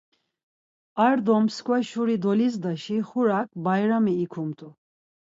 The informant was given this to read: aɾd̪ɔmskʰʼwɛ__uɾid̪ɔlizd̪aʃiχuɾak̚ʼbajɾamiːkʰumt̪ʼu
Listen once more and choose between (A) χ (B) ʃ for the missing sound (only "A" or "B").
B